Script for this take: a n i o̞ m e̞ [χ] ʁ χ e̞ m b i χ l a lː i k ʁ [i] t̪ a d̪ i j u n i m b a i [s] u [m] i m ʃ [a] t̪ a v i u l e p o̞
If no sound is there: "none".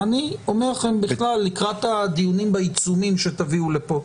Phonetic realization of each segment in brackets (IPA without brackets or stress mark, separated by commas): none, a, t͡s, m, e